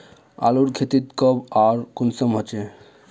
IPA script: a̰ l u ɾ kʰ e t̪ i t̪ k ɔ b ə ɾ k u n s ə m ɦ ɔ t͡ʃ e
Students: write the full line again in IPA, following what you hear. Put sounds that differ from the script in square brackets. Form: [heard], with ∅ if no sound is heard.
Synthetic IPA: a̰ l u ɾ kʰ e t̪ i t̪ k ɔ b [a] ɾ k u n s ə m ɦ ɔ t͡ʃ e